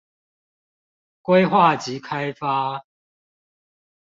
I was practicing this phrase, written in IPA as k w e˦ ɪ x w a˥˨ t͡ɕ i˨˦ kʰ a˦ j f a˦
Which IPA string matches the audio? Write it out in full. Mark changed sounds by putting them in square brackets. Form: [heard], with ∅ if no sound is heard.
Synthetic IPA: k w e˦ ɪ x w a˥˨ t͡ɕ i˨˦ kʰ a˦ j f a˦